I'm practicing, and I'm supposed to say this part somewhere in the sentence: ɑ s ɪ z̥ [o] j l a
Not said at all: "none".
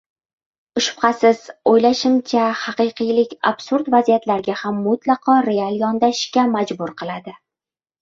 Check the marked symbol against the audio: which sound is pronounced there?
o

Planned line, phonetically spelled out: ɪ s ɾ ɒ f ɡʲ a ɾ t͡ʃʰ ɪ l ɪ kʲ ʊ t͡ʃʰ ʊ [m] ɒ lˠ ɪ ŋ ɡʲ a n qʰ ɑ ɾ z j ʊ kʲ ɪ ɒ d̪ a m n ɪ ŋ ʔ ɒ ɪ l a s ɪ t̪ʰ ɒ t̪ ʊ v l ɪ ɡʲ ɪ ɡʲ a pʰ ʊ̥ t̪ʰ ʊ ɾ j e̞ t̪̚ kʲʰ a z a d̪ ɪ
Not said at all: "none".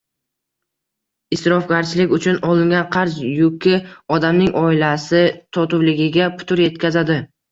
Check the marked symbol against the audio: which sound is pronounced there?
n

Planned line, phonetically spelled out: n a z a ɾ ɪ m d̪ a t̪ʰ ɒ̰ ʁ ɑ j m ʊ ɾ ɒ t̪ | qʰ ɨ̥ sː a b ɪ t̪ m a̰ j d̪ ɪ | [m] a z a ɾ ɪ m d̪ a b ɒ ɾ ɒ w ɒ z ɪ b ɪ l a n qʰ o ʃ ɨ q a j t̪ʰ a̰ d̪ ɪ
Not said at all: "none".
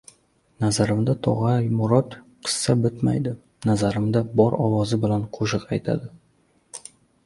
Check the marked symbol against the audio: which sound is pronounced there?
n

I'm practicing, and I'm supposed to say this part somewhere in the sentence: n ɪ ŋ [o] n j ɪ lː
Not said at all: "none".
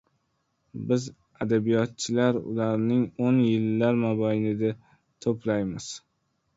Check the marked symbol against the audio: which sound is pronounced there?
o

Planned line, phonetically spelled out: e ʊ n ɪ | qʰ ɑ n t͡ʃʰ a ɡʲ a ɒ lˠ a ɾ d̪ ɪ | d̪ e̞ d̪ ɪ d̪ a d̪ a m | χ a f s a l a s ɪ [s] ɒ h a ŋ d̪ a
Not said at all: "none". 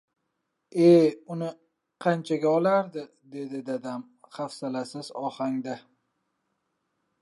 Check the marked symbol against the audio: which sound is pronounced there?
z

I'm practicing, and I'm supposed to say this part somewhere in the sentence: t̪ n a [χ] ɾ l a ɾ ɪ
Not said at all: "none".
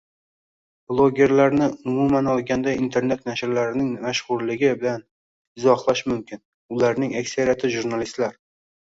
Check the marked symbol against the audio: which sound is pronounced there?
ʃ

